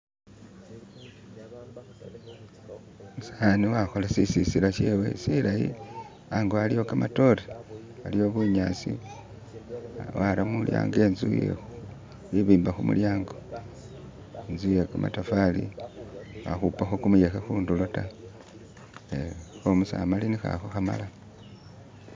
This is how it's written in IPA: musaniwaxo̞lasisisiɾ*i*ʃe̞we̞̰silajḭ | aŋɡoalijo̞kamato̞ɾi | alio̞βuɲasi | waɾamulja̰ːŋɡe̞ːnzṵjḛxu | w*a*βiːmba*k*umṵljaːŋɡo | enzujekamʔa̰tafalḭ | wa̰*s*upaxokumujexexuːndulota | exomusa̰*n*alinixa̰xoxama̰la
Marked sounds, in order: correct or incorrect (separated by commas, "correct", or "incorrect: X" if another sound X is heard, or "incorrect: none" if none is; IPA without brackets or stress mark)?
incorrect: a, incorrect: i, incorrect: x, incorrect: x, incorrect: m